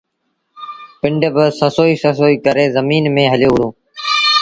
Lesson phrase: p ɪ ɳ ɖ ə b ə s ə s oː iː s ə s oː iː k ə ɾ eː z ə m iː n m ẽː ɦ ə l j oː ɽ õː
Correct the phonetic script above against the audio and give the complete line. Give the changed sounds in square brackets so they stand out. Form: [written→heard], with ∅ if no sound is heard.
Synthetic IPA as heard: p ɪ ɳ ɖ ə b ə s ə s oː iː s ə s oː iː k ə ɾ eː z ə m iː n m ẽː ɦ ə l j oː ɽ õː